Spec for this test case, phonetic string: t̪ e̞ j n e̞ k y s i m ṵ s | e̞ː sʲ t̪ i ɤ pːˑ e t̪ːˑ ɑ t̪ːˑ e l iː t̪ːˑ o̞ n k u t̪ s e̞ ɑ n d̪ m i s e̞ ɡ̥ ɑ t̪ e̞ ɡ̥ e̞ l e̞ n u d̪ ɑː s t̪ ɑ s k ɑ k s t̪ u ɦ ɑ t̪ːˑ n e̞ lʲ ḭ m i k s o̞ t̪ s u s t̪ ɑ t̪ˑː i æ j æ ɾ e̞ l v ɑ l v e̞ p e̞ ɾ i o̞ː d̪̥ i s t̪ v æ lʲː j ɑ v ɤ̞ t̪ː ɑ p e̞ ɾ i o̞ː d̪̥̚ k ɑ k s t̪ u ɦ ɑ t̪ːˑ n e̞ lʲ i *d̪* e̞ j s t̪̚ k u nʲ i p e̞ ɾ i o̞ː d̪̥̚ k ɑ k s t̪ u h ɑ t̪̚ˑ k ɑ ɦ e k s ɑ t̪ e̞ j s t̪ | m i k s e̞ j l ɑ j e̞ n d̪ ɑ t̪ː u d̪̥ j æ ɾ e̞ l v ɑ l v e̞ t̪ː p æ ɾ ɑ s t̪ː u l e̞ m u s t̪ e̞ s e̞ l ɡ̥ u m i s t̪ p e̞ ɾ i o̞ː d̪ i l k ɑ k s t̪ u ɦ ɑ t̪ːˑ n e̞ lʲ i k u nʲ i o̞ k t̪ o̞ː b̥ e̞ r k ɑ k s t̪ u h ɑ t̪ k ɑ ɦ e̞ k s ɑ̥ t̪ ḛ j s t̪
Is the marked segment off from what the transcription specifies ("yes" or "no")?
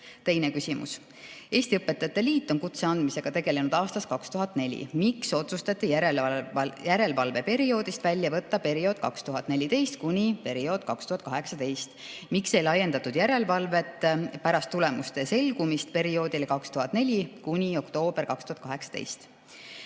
yes